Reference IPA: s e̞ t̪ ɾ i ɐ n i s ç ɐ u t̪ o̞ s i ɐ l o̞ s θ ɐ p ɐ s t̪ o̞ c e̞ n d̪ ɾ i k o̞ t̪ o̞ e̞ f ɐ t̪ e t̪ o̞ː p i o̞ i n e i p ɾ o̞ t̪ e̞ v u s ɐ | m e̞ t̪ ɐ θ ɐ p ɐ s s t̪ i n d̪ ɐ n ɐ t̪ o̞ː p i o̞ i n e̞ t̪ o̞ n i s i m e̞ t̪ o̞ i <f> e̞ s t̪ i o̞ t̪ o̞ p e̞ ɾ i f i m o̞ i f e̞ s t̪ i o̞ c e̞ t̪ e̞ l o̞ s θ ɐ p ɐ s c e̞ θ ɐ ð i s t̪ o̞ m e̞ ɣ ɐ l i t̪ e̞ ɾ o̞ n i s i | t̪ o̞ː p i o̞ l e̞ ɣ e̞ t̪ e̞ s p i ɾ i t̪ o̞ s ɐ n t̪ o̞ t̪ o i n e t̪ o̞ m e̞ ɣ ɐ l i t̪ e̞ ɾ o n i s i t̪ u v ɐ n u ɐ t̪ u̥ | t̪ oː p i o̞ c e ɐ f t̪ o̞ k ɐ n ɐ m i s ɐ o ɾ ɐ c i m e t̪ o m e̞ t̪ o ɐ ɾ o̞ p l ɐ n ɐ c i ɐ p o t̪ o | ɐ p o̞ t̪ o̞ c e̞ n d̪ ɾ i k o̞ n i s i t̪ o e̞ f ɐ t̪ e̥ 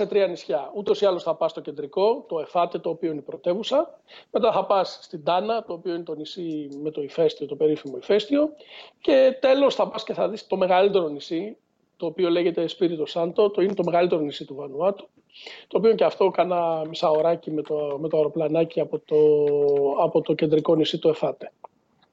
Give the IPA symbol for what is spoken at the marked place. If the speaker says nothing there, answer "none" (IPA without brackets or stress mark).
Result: f